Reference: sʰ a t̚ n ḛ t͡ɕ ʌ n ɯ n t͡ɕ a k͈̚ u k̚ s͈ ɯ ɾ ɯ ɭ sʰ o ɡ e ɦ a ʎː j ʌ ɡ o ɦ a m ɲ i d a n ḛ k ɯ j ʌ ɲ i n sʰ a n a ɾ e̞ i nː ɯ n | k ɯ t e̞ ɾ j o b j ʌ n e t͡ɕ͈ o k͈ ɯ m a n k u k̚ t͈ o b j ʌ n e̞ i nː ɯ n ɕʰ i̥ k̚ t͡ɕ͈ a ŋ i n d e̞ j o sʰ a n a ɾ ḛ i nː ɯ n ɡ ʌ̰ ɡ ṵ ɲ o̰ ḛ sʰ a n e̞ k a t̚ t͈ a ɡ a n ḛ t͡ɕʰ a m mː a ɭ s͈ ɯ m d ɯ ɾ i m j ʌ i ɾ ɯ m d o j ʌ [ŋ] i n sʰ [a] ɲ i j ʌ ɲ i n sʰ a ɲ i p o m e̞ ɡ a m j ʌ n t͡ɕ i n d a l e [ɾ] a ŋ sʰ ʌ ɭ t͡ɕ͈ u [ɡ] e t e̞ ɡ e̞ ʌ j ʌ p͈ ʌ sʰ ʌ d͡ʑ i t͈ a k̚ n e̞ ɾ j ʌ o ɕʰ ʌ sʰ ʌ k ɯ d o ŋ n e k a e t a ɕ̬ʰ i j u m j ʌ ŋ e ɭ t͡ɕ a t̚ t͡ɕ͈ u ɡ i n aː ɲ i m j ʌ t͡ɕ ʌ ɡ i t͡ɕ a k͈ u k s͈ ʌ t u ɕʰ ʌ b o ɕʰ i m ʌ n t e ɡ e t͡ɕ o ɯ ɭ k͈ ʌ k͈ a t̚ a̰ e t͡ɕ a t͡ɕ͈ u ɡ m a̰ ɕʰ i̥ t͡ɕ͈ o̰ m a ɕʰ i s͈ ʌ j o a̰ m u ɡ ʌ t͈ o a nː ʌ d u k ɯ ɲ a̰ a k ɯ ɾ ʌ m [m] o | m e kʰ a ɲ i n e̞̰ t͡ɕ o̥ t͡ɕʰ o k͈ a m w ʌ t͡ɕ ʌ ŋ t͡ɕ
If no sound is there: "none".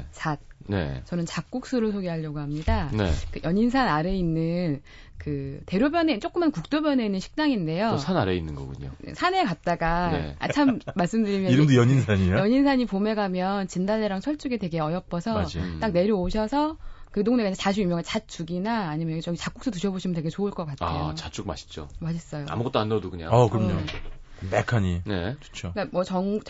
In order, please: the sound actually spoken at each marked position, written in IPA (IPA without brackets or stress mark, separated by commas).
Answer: ɲ, a, ɾ, ɡ, ɲ